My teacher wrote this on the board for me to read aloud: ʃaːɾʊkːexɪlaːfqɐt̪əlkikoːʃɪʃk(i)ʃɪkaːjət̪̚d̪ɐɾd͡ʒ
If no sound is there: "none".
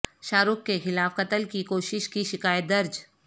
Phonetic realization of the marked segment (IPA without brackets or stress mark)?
i